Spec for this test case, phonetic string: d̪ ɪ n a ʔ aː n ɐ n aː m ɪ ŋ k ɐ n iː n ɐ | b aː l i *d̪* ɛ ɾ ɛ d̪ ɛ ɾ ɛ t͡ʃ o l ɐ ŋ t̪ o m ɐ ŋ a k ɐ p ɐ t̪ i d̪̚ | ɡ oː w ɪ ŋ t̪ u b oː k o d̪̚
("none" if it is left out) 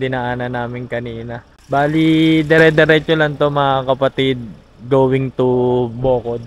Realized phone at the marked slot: d̪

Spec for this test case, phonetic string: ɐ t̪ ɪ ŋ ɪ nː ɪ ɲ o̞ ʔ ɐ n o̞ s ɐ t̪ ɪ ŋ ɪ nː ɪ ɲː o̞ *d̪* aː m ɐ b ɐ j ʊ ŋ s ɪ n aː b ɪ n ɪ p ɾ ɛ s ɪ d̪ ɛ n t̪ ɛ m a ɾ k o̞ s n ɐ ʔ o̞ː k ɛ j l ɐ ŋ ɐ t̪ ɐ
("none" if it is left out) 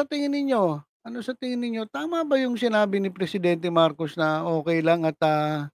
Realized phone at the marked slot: t̪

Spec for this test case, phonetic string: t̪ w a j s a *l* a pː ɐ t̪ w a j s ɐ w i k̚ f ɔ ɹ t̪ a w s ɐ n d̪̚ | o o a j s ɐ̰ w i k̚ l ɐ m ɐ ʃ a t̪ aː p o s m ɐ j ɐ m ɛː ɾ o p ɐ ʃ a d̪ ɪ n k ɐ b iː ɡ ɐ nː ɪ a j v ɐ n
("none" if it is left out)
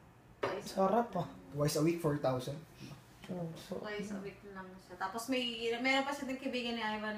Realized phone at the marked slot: ɾ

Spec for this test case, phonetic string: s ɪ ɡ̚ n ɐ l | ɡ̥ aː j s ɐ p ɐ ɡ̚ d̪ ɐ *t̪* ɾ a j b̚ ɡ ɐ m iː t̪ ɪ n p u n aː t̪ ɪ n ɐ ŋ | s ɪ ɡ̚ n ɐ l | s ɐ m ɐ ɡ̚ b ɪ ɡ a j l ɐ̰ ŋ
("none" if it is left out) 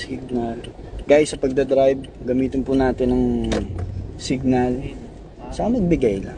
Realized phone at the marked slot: d̪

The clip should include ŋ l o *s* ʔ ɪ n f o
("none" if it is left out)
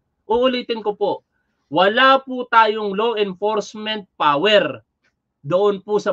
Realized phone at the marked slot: none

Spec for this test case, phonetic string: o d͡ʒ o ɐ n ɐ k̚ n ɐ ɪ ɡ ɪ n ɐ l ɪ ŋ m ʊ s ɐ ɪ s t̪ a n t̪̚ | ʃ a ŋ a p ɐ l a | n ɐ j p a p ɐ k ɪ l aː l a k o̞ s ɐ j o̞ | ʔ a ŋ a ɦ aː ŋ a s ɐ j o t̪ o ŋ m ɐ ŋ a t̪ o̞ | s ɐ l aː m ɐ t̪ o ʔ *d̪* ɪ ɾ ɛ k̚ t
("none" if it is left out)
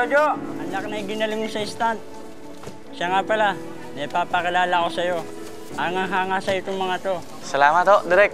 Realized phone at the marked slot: d̪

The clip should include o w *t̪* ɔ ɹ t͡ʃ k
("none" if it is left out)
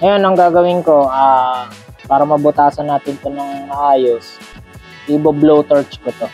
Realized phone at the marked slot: t̪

